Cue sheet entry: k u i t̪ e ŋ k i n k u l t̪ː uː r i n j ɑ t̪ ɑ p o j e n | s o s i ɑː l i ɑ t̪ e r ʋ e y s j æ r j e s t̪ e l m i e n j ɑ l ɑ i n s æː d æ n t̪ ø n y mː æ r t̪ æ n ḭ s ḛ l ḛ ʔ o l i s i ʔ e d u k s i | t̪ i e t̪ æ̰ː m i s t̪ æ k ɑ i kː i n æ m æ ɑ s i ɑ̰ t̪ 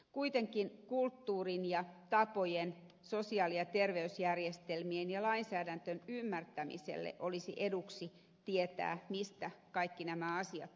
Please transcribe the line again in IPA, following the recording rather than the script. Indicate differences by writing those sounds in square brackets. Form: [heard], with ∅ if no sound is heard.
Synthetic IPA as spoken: k u i t̪ e ŋ k i n k u l t̪ː uː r i n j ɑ t̪ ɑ p o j e n | s o s i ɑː l i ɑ t̪ e r ʋ e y s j æ r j e s t̪ e l m i e n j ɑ l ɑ i n s æː d æ n t̪ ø n y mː æ r t̪ æ [m] ḭ s ḛ [lː] ḛ ʔ o l i s i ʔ e d u k s i | t̪ i e t̪ æ̰ː m i s t̪ æ k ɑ i kː i n æ m æ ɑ s i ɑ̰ t̪